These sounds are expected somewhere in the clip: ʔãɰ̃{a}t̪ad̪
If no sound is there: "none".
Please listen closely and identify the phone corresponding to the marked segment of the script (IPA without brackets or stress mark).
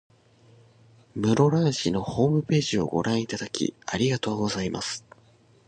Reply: i